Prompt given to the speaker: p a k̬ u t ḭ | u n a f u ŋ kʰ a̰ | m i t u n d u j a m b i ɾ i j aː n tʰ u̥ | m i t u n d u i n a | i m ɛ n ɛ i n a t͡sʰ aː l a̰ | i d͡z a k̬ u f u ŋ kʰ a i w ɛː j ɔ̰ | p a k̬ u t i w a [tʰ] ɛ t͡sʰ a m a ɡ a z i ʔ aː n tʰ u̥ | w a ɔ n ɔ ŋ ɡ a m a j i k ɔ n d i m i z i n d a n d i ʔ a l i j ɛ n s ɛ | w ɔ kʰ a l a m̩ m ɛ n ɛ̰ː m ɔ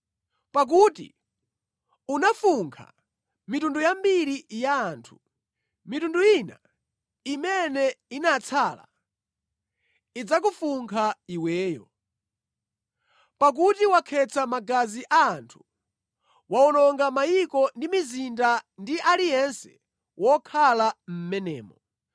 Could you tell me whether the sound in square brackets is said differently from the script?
yes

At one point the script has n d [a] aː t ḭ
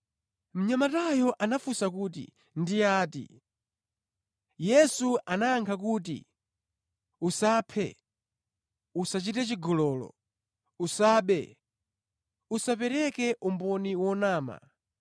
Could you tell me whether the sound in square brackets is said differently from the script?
yes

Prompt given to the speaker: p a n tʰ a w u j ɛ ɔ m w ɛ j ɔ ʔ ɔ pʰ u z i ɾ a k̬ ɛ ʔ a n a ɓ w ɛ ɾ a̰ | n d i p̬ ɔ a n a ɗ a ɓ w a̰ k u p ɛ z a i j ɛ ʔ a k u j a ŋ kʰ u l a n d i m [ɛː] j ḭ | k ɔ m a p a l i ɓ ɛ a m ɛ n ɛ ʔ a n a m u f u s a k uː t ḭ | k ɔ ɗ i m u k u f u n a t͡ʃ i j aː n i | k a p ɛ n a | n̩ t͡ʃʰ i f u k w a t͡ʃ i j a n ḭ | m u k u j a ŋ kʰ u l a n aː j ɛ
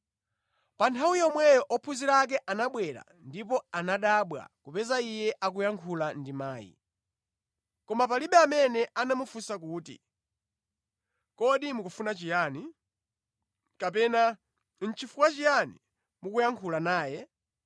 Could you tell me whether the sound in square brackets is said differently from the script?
yes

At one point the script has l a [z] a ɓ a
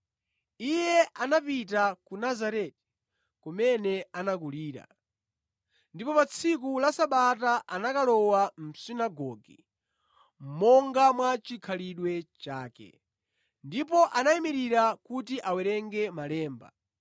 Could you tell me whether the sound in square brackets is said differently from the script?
yes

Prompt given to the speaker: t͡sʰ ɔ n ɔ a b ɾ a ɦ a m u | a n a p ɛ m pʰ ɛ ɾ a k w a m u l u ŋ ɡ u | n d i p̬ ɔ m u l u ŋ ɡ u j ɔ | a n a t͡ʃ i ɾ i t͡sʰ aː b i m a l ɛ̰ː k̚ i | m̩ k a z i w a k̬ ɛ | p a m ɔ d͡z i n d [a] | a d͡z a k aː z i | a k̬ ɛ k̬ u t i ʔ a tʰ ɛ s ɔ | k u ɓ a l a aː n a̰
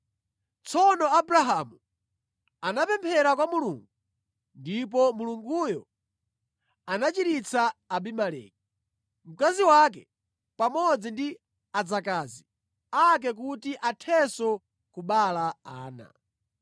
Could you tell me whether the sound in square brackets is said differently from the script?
yes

